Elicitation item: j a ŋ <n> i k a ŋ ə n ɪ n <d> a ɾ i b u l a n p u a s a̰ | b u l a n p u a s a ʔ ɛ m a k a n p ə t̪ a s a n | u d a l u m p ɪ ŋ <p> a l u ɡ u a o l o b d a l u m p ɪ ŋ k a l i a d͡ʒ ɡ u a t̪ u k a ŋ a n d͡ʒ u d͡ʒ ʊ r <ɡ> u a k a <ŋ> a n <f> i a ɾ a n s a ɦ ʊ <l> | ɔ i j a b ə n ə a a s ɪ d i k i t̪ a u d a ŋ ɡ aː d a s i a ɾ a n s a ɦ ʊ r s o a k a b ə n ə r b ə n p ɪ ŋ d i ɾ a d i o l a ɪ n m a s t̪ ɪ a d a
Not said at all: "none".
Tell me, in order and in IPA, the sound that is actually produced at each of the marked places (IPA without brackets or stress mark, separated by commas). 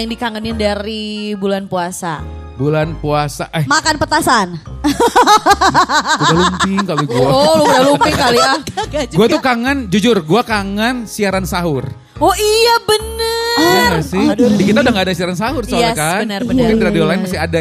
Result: d, d, k, ɡ, ŋ, s, r